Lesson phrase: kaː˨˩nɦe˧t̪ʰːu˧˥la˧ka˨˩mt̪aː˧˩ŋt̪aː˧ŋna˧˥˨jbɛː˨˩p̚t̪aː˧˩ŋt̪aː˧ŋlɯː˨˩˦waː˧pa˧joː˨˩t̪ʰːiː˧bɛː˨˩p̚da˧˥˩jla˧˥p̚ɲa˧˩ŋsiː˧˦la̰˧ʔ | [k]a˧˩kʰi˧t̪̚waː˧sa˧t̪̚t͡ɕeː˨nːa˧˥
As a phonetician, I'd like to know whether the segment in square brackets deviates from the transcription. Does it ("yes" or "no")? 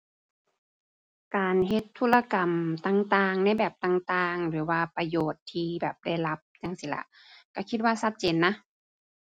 no